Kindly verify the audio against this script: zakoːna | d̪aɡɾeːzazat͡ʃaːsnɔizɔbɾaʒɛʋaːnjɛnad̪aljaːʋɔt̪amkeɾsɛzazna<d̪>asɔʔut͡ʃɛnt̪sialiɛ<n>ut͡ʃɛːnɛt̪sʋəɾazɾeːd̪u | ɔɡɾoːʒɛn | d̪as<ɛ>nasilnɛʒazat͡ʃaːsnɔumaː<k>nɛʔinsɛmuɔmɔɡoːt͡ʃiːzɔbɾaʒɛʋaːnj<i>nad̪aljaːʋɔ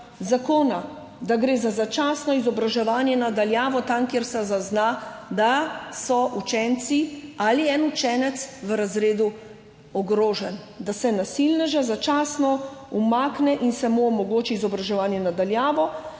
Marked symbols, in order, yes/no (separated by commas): yes, yes, yes, yes, no